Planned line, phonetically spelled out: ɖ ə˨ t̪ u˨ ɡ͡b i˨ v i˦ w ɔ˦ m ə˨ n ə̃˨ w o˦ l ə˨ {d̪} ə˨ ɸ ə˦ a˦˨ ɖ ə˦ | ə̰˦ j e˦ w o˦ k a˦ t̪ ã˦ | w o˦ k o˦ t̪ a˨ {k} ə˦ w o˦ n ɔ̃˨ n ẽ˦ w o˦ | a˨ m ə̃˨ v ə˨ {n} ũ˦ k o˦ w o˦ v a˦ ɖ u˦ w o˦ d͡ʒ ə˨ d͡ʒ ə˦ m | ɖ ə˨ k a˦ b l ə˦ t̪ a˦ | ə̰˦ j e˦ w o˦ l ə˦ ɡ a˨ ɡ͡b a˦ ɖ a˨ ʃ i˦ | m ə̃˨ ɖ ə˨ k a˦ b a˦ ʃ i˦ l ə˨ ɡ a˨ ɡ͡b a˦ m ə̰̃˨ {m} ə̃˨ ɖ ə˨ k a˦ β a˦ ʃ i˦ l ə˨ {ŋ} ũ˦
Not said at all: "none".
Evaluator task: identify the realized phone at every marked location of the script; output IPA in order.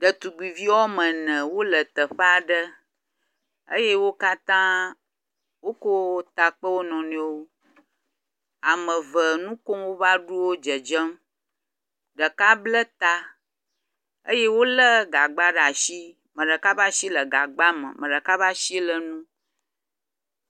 t̪, k͡p, n, m, n

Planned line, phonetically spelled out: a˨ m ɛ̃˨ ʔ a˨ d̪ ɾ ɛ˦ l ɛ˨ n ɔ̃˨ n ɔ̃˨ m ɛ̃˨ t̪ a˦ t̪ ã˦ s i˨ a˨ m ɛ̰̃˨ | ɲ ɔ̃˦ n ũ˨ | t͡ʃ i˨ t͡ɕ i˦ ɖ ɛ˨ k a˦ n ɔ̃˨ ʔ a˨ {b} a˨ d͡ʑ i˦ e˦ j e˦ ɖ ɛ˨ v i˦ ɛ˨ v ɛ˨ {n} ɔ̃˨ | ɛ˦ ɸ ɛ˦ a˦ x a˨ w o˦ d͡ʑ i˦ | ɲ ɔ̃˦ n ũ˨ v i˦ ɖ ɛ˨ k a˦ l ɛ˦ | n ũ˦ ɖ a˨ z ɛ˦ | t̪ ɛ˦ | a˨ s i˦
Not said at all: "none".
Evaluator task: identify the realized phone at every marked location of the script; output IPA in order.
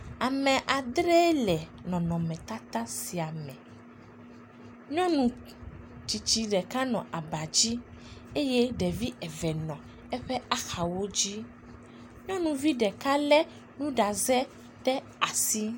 b, n

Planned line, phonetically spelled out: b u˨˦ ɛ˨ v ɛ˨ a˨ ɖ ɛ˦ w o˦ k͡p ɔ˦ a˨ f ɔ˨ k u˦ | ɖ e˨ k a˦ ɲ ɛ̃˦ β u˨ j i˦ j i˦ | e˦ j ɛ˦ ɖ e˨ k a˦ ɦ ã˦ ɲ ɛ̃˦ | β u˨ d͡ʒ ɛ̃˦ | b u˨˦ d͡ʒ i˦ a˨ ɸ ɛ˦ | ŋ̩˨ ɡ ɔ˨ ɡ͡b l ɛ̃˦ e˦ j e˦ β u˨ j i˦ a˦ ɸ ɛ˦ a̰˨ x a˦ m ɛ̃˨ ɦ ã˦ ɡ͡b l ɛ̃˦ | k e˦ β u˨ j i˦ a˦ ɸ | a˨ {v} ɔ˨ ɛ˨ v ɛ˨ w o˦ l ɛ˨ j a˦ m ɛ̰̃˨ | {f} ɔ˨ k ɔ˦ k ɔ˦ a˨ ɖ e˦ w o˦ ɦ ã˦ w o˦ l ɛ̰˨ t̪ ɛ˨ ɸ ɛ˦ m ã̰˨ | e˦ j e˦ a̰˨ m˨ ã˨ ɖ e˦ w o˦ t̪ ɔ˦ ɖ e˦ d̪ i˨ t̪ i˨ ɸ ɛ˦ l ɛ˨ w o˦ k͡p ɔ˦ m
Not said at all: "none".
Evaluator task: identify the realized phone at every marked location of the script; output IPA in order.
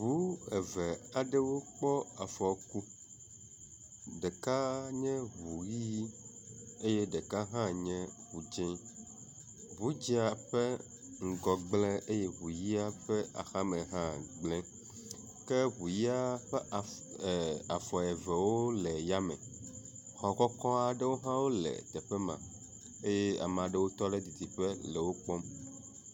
f, x

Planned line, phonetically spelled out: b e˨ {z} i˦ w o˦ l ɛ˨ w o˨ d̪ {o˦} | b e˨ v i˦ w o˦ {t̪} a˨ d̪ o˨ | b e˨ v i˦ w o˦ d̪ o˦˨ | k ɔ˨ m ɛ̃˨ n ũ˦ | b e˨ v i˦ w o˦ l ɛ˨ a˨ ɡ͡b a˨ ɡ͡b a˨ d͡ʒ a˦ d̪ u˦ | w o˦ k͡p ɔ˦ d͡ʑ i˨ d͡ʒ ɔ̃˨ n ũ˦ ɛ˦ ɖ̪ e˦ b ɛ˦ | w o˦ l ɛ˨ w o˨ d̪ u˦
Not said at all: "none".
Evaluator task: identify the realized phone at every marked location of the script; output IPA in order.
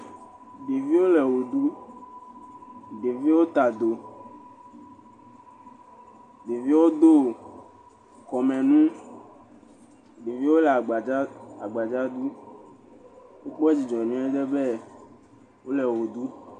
v, u˦, t̪

